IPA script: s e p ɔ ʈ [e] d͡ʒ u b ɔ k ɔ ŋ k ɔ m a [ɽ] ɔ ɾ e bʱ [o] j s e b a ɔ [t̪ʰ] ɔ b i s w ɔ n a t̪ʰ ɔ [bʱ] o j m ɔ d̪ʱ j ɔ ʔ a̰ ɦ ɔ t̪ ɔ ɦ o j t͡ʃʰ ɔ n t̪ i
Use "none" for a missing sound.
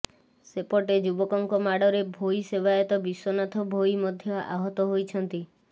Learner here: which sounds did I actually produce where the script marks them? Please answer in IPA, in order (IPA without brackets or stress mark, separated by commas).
e, ɽ, o, t̪, bʱ